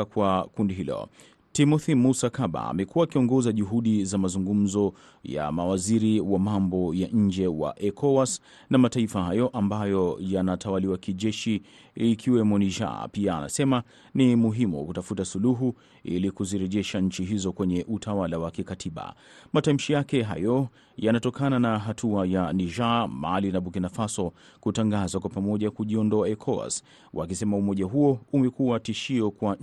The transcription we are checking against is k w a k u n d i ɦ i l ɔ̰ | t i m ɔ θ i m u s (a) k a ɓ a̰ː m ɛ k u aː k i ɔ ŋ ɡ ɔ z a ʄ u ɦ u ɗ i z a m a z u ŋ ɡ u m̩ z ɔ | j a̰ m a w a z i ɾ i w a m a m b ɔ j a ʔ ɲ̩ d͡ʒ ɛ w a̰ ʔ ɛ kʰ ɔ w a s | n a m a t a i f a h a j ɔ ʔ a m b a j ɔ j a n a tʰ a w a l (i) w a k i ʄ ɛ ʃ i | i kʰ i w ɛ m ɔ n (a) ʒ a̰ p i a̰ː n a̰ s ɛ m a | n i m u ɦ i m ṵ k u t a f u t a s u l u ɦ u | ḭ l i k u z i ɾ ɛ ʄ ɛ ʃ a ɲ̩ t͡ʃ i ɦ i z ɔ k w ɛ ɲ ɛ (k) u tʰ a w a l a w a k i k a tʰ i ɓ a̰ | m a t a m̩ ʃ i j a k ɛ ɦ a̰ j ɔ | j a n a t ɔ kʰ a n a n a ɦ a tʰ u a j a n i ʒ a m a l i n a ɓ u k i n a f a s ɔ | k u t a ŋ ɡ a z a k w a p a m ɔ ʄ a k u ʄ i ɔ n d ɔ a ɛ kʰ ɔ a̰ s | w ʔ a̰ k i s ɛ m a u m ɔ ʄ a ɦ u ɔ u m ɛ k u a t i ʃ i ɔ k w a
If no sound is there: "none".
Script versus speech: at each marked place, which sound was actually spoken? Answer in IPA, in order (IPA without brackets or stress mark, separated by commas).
a, i, i, ʔ